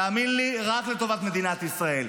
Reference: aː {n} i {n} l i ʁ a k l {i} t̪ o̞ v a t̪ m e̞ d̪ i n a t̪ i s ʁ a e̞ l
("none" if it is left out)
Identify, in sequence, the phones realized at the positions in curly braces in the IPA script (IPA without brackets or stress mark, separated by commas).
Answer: m, n, e